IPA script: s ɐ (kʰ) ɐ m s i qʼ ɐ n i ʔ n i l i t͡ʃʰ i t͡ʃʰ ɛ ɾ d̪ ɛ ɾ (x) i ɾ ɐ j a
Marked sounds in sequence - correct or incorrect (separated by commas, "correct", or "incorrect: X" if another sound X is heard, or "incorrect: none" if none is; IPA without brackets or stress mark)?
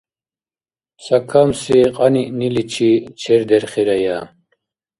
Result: correct, incorrect: χ